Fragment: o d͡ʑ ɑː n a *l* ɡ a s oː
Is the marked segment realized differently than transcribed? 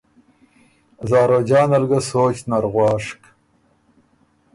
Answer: no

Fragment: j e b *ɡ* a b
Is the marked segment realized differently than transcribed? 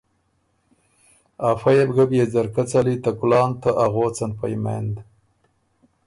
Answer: no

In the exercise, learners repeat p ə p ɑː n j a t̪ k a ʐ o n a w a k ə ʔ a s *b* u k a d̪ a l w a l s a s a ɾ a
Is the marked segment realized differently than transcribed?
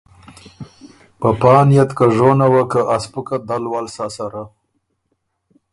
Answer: yes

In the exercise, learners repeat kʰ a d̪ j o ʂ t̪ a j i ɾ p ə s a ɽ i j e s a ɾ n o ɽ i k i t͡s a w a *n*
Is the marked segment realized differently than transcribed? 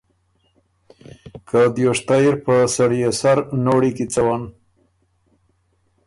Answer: no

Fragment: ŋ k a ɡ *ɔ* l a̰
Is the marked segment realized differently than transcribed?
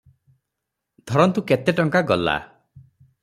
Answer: no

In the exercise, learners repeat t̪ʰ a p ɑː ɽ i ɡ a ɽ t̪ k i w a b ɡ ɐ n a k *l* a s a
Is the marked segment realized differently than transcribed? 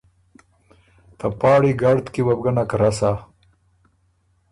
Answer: yes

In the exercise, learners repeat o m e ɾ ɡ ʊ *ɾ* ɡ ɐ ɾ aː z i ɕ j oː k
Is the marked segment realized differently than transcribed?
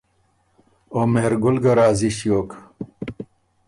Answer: yes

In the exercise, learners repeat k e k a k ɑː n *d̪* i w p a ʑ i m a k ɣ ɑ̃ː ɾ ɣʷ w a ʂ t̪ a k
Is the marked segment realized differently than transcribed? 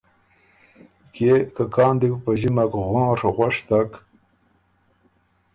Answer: no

